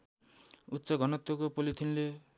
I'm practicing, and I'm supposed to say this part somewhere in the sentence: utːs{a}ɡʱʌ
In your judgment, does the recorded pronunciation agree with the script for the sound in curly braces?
no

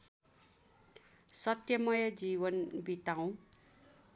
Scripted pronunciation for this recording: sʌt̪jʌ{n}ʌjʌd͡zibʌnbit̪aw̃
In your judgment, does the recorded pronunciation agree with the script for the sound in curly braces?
no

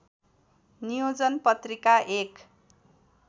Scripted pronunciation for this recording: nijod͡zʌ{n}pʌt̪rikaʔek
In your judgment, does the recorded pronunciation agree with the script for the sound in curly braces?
yes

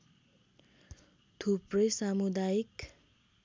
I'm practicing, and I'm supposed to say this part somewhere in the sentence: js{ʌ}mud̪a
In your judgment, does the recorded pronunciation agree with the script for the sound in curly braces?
no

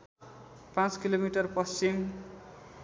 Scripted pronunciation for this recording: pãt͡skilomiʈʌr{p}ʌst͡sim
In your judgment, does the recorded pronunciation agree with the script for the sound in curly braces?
yes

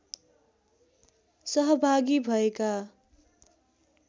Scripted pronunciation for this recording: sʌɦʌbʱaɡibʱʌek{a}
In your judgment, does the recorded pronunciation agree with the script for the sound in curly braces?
yes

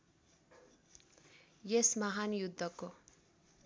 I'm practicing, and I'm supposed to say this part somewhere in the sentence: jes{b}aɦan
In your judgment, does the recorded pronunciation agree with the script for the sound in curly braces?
no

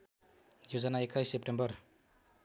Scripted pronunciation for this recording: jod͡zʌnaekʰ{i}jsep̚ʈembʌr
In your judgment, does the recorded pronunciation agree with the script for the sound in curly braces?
no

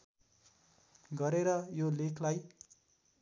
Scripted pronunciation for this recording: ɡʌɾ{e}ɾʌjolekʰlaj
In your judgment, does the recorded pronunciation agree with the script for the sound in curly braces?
yes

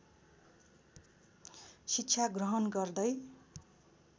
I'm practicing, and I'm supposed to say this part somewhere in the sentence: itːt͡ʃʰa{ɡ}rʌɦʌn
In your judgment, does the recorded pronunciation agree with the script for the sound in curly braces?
yes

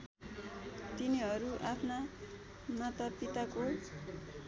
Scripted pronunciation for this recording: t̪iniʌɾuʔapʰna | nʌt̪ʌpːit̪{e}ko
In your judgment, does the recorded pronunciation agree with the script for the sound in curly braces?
no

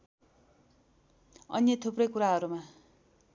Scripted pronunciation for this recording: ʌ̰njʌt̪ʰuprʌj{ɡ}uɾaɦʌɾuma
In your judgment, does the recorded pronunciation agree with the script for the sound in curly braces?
no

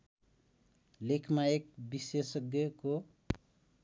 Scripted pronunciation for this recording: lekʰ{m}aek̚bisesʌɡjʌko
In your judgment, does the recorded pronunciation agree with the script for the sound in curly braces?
yes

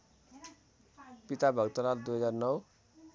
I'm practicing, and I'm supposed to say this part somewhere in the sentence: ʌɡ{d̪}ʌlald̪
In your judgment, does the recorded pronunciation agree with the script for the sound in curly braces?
no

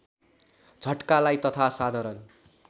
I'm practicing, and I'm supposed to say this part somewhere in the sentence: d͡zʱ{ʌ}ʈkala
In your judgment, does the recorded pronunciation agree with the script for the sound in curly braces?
yes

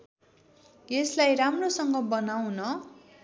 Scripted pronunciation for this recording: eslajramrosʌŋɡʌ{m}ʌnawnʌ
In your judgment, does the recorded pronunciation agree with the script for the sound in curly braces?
no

